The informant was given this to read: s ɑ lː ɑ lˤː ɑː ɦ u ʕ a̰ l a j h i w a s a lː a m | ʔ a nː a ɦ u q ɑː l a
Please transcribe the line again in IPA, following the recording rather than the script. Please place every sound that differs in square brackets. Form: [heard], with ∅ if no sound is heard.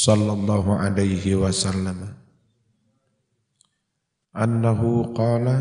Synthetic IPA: s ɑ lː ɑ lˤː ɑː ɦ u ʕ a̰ l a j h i w a s a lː a m | ʔ a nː a ɦ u q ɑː l a